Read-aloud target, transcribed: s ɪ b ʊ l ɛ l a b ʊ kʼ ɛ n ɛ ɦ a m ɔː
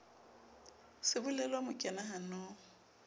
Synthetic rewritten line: s ɪ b ʊ l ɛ l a m ʊ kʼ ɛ n a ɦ a n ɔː